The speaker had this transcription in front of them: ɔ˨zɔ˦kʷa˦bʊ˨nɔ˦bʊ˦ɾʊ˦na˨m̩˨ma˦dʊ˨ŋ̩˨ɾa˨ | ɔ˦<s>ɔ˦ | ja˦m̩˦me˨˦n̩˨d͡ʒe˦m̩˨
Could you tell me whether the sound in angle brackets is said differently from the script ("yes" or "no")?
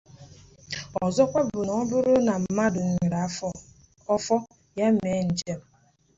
yes